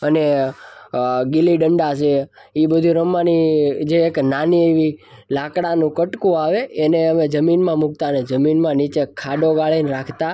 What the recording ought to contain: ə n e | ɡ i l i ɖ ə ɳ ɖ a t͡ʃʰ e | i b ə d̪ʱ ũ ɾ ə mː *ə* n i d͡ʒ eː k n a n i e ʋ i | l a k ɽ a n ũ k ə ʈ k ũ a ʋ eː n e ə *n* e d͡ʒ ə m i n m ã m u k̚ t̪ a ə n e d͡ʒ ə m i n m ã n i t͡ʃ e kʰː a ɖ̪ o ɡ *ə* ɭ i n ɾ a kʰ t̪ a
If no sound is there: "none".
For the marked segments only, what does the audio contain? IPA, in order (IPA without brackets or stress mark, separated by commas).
a, m, a